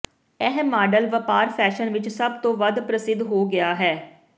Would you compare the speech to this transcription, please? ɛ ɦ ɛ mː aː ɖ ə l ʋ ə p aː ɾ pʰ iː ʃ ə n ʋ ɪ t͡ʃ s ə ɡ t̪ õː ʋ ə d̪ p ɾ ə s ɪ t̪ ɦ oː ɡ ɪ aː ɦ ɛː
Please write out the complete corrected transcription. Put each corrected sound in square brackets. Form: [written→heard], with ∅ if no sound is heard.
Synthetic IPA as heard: ɛ ɦ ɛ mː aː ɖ ə l ʋ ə p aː ɾ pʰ [iː→ɛː] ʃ ə n ʋ ɪ t͡ʃ s ə [ɡ→b] t̪ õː ʋ ə d̪ p ɾ ə s ɪ [t̪→d̪] ɦ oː ɡ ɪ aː ɦ ɛː